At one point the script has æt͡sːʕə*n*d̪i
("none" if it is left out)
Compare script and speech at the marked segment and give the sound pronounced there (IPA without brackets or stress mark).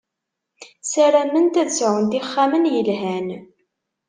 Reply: n